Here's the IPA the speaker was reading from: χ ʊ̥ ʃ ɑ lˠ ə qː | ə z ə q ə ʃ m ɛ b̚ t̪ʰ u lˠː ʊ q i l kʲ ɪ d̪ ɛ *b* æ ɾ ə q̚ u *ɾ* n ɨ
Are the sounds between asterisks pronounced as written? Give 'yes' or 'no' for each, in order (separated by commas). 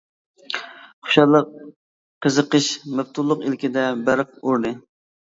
yes, yes